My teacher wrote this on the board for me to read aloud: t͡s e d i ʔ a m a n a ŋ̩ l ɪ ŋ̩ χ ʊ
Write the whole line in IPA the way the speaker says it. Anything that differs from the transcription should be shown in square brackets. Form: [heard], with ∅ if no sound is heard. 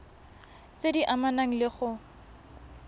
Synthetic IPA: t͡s e d i ʔ a m a n a ŋ̩ l ɪ [∅] χ ʊ